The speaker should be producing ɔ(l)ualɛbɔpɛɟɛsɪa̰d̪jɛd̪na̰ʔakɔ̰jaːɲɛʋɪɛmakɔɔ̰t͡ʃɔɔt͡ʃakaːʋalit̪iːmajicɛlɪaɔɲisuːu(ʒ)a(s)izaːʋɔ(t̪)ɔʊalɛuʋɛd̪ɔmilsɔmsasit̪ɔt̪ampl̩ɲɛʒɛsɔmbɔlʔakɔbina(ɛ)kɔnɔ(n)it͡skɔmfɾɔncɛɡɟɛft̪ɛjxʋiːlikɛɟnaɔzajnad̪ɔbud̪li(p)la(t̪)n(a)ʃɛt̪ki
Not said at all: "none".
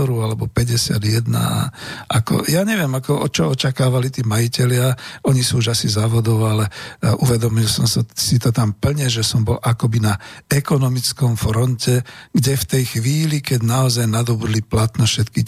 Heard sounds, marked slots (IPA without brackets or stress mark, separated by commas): ɾ, ʒ, s, d̪, ɛ, m, p, t̪, ɛ